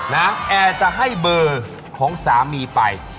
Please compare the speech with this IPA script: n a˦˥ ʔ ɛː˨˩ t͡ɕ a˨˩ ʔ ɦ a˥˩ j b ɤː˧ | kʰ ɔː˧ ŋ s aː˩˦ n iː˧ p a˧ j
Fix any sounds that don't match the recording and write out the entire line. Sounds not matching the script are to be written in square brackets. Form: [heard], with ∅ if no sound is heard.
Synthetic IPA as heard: n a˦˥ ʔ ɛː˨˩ t͡ɕ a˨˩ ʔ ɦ a˥˩ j b ɤː˧ | kʰ [ɔː˩˦] ŋ s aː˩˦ [m] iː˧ p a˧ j

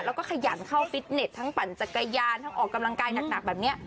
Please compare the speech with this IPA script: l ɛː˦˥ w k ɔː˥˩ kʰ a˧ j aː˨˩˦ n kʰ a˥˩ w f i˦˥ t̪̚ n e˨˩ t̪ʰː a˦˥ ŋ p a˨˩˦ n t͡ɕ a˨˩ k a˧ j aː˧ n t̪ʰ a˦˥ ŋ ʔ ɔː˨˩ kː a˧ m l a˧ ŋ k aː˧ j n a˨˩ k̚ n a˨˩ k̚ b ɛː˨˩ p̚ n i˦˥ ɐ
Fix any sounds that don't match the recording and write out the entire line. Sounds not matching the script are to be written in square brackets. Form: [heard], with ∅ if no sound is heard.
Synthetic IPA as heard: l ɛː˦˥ w k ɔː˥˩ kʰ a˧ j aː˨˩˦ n kʰ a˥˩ w f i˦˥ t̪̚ n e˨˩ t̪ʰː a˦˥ ŋ p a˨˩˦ n t͡ɕ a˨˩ k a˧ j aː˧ n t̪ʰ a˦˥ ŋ ʔ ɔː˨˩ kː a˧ m l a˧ ŋ k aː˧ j n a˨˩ k̚ n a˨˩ k̚ b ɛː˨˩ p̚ n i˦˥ ɐ

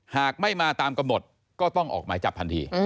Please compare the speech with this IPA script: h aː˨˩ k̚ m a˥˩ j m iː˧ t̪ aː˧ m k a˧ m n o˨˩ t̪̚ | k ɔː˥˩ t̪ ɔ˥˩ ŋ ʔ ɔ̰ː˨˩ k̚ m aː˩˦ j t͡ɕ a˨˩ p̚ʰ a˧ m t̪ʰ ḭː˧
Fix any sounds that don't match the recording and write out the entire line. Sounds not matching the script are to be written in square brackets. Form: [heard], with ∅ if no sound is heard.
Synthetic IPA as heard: h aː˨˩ k̚ m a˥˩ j m [aː˧] t̪ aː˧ m k a˧ m n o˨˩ t̪̚ | k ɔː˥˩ t̪ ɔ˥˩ ŋ ʔ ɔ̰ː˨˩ k̚ m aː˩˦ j t͡ɕ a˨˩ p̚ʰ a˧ [n] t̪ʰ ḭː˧

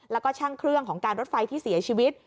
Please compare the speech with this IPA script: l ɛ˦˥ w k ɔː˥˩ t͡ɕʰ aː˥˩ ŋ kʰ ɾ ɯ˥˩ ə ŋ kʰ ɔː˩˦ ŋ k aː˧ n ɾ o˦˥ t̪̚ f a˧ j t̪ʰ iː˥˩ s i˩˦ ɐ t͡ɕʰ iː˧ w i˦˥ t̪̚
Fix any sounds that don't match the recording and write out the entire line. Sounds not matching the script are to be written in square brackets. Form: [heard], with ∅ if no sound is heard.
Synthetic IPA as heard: l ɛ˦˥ w k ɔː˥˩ t͡ɕʰ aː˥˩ ŋ kʰ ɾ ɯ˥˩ ə ŋ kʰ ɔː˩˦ ŋ k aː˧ n ɾ o˦˥ t̪̚ f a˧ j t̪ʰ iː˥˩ s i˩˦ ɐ t͡ɕʰ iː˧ w i˦˥ t̪̚

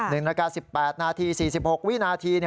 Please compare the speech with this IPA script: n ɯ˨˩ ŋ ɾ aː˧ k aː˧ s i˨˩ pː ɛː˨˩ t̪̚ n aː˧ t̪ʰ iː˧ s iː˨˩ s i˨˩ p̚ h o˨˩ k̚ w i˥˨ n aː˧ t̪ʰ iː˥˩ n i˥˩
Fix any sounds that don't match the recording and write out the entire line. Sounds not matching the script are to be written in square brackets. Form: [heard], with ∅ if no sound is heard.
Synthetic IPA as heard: n ɯ˨˩ ŋ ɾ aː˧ k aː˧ s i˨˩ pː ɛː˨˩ t̪̚ n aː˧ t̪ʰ iː˧ s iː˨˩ s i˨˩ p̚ h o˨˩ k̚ w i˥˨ n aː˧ t̪ʰ [iː˧] n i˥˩

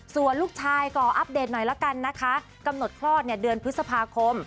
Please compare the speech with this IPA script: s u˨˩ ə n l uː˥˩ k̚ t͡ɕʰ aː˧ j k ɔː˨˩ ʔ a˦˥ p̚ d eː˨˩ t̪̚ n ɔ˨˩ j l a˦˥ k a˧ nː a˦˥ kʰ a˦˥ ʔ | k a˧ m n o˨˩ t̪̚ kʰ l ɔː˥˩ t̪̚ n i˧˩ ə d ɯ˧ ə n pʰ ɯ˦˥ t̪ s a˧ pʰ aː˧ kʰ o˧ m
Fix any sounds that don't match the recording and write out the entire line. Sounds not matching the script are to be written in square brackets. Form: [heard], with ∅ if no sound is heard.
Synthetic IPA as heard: s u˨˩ ə n l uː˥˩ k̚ t͡ɕʰ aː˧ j k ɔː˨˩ ʔ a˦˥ p̚ d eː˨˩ t̪̚ n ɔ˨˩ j l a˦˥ k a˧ nː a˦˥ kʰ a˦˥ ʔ | k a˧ m n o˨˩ t̪̚ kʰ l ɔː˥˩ t̪̚ n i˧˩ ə d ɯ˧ ə n pʰ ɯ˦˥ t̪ s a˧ pʰ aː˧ kʰ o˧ m

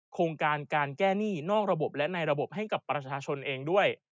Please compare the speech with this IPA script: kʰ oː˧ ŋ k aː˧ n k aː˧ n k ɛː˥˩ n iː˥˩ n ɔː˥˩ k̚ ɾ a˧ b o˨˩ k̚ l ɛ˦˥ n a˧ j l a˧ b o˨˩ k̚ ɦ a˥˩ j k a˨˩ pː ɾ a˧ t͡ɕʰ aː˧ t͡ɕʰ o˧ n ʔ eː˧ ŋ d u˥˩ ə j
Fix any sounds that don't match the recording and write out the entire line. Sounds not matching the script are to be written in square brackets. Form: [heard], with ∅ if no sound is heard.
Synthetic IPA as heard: kʰ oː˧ ŋ k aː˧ n k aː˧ n k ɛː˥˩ n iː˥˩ n ɔː˥˩ k̚ ɾ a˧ b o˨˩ [p̚] l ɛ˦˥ n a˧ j [ɾ] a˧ b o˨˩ [p̚] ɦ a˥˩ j k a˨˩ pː ɾ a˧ t͡ɕʰ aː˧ t͡ɕʰ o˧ n ʔ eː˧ ŋ d u˥˩ ə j

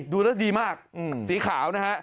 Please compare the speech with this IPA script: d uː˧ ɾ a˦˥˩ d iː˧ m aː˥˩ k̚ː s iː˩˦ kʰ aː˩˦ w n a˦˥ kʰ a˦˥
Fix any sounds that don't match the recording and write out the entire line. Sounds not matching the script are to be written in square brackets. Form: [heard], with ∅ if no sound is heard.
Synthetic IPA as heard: d uː˧ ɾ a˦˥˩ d iː˧ m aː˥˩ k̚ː s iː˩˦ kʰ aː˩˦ w n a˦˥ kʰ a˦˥

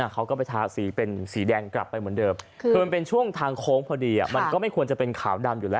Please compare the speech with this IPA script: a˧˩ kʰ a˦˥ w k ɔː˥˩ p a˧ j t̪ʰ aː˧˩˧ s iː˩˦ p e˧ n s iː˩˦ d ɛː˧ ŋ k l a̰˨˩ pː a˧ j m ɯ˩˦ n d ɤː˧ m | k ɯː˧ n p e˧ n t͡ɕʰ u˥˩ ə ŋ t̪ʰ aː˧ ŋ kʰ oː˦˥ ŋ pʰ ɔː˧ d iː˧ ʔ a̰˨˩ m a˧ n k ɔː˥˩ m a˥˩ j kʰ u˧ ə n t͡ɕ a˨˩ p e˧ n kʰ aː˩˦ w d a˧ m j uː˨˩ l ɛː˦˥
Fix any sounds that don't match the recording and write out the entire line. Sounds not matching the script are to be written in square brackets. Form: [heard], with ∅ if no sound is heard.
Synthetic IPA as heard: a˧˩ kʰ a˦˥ w k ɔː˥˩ p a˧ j t̪ʰ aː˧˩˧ s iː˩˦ p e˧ n s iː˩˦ d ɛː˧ ŋ k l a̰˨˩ pː a˧ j m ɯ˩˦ n d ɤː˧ m | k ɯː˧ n p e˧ n t͡ɕʰ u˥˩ ə ŋ t̪ʰ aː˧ ŋ kʰ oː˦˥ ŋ pʰ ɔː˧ d iː˧ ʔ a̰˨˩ m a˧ n k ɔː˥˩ m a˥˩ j kʰ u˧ ə n t͡ɕ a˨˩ p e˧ n kʰ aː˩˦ w d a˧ m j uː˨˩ l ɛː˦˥

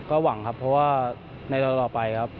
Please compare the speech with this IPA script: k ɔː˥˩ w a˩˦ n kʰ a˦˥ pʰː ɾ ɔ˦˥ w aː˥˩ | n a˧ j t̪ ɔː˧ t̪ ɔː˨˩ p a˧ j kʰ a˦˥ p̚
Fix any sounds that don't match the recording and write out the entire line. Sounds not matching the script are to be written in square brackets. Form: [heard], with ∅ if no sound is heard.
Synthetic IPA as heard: k ɔː˥˩ w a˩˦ [ŋ] kʰ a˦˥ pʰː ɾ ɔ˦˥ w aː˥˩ | n a˧ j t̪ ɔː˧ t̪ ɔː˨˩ p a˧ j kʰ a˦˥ p̚

